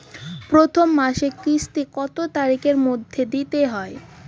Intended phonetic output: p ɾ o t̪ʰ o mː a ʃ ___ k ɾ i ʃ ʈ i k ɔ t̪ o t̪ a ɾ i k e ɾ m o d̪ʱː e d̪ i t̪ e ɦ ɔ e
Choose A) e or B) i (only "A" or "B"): A